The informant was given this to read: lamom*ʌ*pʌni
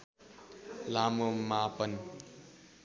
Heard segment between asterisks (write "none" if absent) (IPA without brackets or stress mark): a